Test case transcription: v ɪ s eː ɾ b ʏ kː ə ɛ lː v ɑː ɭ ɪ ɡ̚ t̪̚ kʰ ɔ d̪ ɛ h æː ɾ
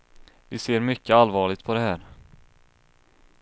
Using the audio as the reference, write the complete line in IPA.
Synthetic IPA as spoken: v ɪ s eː ɾ m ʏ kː ə a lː v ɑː ɭ ɪ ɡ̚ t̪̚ pʰ ɔ d̪ ɛ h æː ɾ